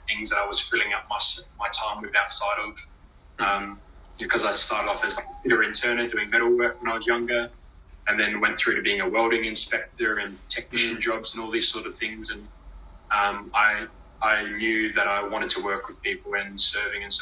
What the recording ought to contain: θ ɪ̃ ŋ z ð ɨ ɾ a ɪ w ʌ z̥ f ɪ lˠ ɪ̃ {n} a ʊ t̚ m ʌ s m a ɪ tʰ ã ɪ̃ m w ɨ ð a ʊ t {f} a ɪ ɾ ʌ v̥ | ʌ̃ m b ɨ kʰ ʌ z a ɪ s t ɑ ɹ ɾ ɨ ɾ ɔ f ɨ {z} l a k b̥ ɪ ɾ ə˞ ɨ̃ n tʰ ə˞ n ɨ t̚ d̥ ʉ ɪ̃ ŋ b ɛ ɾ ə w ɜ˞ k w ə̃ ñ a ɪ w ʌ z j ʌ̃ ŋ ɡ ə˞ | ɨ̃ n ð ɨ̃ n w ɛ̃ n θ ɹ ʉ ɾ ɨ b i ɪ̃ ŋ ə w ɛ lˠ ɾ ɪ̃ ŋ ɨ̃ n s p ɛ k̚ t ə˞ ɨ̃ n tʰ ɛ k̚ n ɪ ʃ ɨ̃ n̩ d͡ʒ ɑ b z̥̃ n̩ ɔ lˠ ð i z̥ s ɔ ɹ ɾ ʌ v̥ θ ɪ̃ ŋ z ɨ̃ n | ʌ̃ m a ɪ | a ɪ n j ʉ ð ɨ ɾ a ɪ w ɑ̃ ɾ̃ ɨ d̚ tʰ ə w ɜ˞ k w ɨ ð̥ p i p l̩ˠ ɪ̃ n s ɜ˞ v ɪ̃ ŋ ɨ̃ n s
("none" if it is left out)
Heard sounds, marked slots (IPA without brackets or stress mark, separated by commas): ŋ, s, z